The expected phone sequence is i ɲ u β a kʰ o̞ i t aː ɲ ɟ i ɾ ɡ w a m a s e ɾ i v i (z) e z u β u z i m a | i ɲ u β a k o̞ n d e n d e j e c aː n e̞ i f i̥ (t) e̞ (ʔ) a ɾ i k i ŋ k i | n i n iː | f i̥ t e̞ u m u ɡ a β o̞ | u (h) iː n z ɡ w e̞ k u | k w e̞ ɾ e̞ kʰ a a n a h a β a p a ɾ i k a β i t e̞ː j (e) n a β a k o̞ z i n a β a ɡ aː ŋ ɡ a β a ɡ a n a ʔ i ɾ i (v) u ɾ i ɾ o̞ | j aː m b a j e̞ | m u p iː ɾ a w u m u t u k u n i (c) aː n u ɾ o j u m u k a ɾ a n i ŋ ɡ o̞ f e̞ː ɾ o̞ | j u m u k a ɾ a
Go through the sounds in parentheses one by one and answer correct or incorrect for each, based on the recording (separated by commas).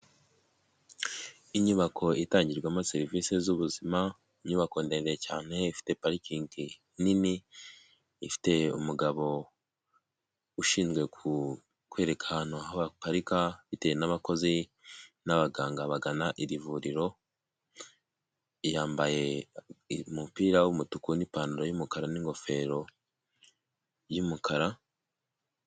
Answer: incorrect, correct, incorrect, incorrect, correct, correct, incorrect